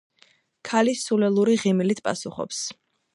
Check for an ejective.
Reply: present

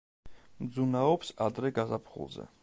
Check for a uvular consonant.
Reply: present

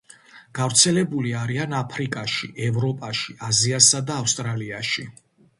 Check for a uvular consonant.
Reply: absent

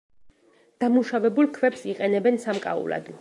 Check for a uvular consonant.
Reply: present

